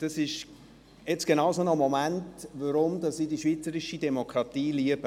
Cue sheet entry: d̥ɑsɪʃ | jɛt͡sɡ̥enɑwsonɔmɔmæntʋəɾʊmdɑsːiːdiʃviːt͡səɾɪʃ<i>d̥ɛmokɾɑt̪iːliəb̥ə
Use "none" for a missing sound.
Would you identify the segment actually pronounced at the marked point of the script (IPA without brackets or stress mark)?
i